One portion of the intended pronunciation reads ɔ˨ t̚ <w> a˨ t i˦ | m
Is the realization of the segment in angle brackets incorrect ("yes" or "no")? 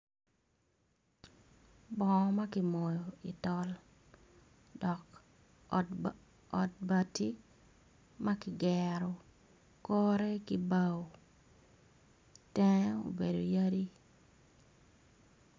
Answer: yes